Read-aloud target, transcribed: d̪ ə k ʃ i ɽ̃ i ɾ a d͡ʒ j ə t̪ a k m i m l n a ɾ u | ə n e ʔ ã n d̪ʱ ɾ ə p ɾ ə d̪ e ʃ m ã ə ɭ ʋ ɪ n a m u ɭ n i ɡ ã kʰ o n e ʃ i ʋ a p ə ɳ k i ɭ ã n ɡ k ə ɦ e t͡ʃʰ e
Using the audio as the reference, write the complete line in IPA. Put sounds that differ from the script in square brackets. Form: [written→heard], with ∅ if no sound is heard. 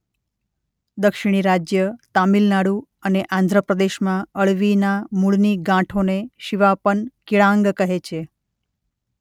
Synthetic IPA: d̪ ə k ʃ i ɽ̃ i ɾ a d͡ʒ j ə t̪ a [k→∅] m i [m→∅] l n a [ɾ→ɽ] u | ə n e ʔ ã n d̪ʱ ɾ ə p ɾ ə d̪ e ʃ m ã ə ɭ ʋ [ɪ→i] n a m u ɭ n i ɡ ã [kʰ→ʈʰ] o n e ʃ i ʋ a p ə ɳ k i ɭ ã [n→ŋ] ɡ k ə ɦ e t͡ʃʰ e